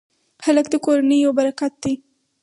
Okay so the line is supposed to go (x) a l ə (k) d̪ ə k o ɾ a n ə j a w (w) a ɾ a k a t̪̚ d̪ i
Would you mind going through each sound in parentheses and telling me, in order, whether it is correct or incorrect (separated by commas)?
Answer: correct, correct, incorrect